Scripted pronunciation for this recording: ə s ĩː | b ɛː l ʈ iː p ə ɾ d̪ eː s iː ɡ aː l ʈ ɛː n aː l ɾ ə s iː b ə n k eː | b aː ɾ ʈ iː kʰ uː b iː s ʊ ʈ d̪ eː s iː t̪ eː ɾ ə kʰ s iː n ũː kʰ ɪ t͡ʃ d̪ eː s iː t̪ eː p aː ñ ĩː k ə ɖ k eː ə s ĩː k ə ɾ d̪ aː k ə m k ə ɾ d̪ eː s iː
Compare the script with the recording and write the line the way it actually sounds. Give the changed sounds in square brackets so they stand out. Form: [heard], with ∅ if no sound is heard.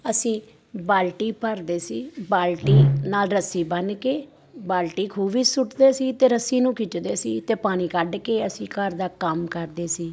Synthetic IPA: ə s ĩː | b [aː] l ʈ iː p ə ɾ d̪ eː s iː [b] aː l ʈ [iː] n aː l ɾ ə s iː b ə n k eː | b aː [l] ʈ iː kʰ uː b iː s ʊ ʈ d̪ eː s iː t̪ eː ɾ ə [∅] s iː n ũː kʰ ɪ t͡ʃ d̪ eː s iː t̪ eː p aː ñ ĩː k ə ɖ k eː ə s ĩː k ə ɾ d̪ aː k ə m k ə ɾ d̪ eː s iː